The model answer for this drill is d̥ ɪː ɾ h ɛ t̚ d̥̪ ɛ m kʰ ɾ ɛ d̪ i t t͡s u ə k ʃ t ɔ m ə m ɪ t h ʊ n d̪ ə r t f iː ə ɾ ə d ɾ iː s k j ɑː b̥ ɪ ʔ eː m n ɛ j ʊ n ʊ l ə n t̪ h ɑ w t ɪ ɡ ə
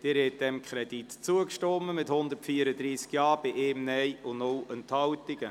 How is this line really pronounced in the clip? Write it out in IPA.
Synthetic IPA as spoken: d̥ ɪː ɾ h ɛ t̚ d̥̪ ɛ m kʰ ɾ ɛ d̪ i t t͡s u ə k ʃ t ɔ m ə m ɪ t h ʊ n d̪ ə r t f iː ə ɾ ə d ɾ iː s k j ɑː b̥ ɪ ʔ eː m n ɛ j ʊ n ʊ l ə n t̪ h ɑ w t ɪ ɡ ə